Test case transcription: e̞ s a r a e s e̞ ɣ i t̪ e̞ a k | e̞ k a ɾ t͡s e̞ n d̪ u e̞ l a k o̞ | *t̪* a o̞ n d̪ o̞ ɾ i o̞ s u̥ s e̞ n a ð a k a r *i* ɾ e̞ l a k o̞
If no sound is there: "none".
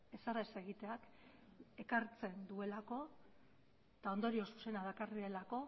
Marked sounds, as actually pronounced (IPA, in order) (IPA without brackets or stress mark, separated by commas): t̪, i